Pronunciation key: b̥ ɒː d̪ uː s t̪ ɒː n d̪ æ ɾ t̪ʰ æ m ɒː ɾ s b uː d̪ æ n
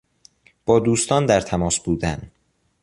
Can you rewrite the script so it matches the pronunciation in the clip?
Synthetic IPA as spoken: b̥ ɒː d̪ uː s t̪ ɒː n d̪ æ ɾ t̪ʰ æ m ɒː s b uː d̪ æ n